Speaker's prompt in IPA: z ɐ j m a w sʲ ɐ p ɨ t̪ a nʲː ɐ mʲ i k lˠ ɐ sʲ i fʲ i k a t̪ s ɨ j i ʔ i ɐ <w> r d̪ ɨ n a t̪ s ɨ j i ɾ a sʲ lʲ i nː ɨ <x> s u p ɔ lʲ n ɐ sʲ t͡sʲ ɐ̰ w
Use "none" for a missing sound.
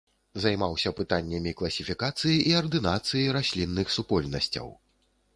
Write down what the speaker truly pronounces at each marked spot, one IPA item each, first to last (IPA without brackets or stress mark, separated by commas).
none, x